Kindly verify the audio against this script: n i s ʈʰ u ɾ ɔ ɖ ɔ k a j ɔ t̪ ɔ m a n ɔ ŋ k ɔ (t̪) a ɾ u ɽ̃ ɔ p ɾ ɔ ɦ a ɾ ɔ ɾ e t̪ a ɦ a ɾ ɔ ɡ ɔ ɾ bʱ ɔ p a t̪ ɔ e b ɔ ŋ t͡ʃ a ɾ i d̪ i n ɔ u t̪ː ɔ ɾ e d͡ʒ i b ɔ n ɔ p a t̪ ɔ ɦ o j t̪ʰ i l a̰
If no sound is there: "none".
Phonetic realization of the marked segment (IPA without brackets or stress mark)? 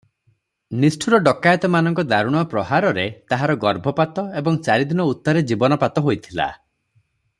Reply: d̪